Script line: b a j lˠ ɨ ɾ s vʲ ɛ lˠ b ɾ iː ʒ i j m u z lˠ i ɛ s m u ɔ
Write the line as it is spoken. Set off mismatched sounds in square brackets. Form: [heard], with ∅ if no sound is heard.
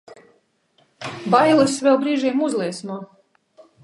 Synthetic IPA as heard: b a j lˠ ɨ [∅] s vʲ ɛ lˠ b ɾ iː ʒ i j m u z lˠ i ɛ s [n] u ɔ